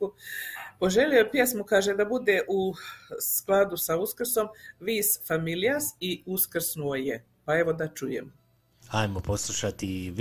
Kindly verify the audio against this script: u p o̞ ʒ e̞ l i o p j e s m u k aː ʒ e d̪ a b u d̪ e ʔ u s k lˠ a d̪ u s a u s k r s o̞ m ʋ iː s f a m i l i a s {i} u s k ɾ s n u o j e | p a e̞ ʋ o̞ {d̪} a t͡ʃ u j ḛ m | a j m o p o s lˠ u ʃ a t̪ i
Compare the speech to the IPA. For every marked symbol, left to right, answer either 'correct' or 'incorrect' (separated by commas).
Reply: correct, correct